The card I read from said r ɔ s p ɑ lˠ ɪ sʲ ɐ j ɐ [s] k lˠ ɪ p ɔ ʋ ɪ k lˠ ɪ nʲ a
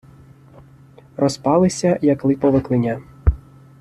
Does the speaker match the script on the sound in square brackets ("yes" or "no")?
no